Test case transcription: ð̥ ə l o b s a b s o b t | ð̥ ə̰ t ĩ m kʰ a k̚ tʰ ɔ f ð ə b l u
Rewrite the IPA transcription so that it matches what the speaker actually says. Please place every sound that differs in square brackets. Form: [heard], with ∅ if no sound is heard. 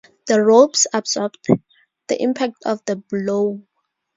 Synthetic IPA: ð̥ ə [ɹ] o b s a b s [ɔ] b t | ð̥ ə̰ [ʔ] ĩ m [pʰ] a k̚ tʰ ɔ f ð ə b l [o]